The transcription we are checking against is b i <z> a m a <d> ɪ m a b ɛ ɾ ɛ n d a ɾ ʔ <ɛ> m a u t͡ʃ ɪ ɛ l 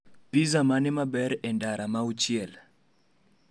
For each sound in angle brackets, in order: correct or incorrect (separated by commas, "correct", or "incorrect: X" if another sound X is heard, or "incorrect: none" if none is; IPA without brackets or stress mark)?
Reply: correct, incorrect: n, incorrect: a